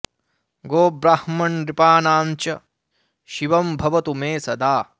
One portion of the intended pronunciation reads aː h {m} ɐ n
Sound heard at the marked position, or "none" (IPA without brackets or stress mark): m